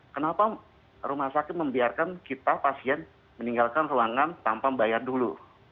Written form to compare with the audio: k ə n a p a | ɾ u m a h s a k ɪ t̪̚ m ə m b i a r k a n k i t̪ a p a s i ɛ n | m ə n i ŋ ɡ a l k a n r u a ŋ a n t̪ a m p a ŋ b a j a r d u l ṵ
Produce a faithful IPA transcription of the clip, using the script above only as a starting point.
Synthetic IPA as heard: k ə n a p a | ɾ u m a h s a k ɪ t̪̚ m ə m b i a r k a n k i t̪ a p a s i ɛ n | m ə n i ŋ ɡ a l k a n r u a ŋ a n t̪ a m p a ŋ b a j a r d u l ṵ